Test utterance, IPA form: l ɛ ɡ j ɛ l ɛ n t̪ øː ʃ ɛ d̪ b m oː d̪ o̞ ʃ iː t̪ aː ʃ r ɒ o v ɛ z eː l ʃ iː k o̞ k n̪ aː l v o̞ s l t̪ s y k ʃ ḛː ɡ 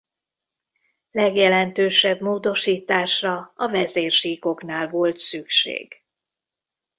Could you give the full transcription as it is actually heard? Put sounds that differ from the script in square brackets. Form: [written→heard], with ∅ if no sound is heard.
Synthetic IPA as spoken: l ɛ ɡ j ɛ l ɛ n t̪ øː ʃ ɛ [d̪→∅] b m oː d̪ o̞ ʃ iː t̪ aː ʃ r ɒ [o→ɒ] v ɛ z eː [l→r] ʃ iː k o̞ k n̪ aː l v o̞ [s→∅] l t̪ s y k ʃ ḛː ɡ